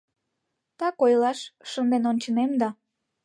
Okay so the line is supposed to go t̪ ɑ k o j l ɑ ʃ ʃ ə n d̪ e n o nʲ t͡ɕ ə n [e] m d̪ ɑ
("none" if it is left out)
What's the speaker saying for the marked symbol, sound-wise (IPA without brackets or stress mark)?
e